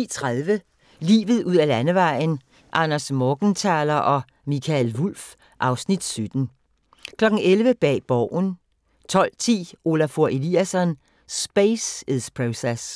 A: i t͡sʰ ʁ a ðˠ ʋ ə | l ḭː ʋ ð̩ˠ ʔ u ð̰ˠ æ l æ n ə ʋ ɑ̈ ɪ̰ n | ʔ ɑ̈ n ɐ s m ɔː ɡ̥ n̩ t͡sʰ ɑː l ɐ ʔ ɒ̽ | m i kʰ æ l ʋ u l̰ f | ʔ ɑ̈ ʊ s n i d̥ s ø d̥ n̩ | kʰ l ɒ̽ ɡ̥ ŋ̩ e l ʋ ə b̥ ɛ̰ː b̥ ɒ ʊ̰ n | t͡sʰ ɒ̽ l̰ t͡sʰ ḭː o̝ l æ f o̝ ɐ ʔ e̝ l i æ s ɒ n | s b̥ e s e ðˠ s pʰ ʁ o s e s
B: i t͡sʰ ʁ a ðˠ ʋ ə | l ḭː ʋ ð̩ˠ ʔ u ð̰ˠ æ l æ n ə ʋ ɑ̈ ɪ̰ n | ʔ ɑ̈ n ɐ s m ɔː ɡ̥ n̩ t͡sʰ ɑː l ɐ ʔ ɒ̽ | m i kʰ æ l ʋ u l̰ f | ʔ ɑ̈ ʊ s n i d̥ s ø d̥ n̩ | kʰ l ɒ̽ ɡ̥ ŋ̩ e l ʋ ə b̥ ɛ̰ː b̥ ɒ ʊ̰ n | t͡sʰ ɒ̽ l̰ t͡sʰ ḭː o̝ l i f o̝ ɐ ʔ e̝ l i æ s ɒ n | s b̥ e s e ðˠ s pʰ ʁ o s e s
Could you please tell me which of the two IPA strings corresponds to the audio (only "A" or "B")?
A